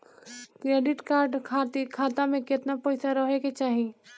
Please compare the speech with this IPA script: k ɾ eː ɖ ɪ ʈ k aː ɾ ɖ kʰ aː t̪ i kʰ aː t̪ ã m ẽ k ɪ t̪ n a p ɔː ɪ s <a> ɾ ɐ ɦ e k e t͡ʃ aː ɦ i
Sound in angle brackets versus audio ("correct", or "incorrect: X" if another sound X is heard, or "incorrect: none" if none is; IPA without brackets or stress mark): correct